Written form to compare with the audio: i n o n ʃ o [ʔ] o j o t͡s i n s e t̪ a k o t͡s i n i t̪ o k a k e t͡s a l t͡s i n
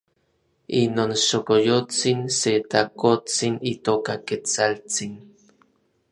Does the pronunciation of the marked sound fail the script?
yes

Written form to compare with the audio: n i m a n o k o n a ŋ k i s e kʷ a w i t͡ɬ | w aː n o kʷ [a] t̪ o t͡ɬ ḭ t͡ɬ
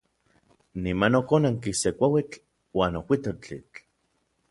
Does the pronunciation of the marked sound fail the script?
yes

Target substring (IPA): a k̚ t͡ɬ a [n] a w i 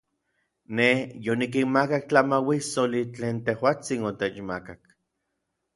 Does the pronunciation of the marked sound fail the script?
yes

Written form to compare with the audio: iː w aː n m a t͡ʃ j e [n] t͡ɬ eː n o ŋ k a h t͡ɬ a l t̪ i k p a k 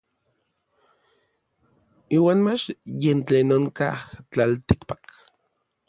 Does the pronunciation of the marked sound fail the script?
no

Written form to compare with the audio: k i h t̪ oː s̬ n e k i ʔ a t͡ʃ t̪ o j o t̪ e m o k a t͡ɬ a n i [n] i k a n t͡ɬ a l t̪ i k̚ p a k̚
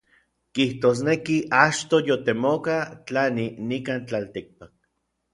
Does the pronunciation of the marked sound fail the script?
no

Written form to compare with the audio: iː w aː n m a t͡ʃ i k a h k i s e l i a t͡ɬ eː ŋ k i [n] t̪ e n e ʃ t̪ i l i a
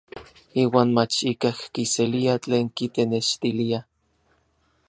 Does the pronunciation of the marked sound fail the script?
yes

